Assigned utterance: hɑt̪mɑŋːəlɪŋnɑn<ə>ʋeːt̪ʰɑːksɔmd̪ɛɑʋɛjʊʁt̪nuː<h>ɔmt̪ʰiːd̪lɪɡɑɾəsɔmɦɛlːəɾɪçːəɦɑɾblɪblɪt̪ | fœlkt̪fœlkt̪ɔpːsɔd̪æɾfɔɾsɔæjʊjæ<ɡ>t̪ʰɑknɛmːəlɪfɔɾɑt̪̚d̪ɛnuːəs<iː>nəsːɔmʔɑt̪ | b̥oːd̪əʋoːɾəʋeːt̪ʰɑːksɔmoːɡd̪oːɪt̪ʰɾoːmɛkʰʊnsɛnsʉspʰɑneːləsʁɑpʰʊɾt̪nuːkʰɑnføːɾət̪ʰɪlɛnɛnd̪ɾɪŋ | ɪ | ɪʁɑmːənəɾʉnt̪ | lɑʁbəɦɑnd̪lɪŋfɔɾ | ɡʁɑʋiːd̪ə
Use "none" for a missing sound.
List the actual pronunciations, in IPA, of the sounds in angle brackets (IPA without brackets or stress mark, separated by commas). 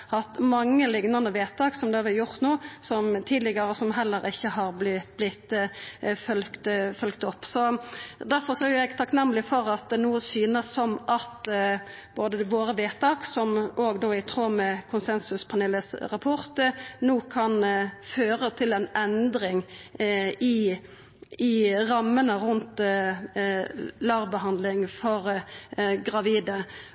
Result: ə, s, ɡ, yː